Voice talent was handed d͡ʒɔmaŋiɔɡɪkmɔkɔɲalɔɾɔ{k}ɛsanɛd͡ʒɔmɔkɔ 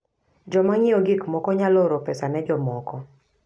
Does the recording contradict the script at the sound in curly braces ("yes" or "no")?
yes